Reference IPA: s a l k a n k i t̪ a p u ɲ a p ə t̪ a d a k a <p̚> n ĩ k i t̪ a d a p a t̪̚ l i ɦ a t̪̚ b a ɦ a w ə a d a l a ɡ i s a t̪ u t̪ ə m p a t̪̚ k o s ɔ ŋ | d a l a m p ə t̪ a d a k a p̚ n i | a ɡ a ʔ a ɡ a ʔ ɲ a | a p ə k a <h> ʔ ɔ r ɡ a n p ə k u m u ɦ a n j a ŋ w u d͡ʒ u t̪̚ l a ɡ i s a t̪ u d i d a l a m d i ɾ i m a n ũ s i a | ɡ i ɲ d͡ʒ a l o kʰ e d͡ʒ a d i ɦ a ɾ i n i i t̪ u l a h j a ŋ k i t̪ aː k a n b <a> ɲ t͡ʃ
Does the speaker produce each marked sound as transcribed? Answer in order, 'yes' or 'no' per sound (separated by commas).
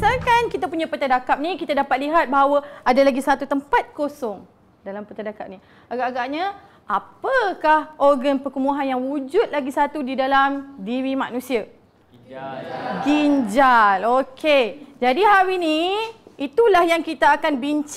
yes, yes, no